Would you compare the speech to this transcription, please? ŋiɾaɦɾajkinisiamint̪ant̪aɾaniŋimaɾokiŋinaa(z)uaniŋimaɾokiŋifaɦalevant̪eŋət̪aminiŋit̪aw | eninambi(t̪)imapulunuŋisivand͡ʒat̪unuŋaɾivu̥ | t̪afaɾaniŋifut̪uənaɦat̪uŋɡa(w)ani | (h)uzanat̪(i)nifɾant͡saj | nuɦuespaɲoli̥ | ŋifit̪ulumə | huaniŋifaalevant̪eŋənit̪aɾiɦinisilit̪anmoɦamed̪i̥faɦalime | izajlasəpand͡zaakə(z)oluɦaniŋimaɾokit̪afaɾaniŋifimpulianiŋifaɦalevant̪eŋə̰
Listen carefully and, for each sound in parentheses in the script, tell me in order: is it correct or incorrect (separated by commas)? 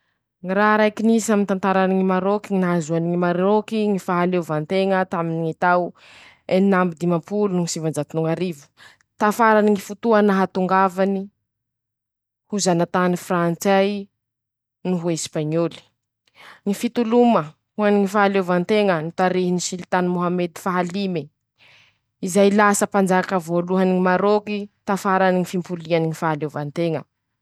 correct, incorrect, incorrect, correct, incorrect, incorrect